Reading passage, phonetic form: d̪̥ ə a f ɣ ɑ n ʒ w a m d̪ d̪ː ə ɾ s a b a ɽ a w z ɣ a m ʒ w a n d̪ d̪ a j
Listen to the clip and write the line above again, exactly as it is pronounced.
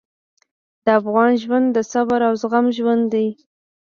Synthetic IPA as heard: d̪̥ ə a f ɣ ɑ n ʒ w a n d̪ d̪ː ə s a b a ɾ a w z ɣ a m ʒ w a n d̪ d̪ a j

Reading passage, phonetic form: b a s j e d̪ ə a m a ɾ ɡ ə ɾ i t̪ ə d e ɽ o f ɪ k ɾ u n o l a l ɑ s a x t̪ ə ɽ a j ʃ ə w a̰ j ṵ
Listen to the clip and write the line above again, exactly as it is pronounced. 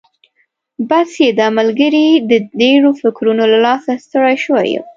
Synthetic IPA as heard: b a s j e d̪ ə a m a l ɡ ə ɾ i d̪ ə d e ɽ o f ɪ k ɾ u n o l a l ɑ s a s t̪ ə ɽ a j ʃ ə w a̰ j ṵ

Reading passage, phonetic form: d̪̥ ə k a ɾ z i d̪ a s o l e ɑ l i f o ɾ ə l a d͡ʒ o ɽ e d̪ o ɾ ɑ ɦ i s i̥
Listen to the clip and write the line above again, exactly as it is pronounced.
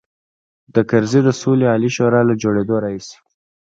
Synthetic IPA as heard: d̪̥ ə k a ɾ z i d̪ ə s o l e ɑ l i ʃ o ɾ ɑ l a d͡ʒ o ɽ e d̪ o ɾ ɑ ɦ i s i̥

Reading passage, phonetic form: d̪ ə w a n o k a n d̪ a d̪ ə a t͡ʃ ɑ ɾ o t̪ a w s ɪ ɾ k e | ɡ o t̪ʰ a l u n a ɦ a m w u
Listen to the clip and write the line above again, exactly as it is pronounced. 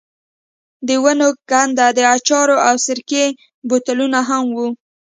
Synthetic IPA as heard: d̪ ə w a n o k a n d̪ a d̪ ə a t͡ʃ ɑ ɾ o a w s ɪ ɾ k e | b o t̪ a l u n a ɦ a m w u

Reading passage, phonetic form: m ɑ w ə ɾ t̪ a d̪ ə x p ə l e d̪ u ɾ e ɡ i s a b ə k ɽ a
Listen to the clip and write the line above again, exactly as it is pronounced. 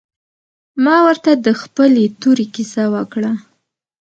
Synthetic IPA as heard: m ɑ w ə ɾ t̪ a d̪ ə x p ə l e t̪ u ɾ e k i s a w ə k ɽ a

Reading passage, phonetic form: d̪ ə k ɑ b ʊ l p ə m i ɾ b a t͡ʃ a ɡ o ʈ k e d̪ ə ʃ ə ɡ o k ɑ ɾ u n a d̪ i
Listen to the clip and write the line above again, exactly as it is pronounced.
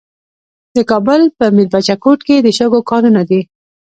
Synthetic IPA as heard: d̪ ə k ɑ b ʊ l p ə m i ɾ b a t͡ʃ a k o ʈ k e d̪ ə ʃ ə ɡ o k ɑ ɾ u n a d̪ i

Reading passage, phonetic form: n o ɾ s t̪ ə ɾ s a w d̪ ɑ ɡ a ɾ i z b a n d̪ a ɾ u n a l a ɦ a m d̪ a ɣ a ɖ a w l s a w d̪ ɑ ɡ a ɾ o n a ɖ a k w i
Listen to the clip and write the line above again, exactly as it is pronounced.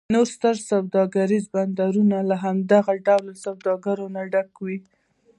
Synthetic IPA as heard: n o ɾ s t̪ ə ɾ s a w d̪ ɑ ɡ a ɾ i z b a n d̪ a ɾ u n a l a ɦ a m d̪ a ɣ a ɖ a w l s a w d̪ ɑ ɡ a ɾ o n a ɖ a k w i

